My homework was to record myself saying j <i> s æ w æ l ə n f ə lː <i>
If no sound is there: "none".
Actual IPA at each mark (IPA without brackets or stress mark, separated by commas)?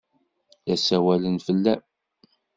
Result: æ, æ